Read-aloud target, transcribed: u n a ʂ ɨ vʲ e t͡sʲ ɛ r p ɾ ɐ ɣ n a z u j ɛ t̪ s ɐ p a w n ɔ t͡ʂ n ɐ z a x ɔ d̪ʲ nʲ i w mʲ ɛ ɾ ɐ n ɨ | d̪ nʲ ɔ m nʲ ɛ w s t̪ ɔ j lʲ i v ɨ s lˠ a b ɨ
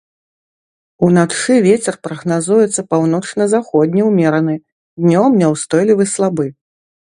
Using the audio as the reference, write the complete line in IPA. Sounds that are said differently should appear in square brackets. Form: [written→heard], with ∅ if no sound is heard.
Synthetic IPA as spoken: u n a ʂ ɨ vʲ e t͡sʲ ɛ r p ɾ ɐ ɣ n a z u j ɛ t̪ [s→sː] ɐ p a w n ɔ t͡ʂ n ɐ z a x ɔ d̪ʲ nʲ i w mʲ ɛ ɾ ɐ n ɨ | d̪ nʲ ɔ m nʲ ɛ w s t̪ ɔ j lʲ i v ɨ s lˠ a b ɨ